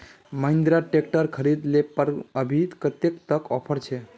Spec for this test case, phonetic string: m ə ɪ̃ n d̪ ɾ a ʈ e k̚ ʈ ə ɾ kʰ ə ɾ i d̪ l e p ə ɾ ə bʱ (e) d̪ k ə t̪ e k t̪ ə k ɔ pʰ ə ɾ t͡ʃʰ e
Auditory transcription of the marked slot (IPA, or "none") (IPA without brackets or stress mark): i